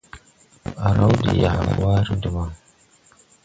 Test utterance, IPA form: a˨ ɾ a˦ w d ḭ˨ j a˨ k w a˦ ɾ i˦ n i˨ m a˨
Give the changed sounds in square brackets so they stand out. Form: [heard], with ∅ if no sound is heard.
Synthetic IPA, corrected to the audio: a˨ ɾ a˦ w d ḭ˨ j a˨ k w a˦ ɾ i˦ [d] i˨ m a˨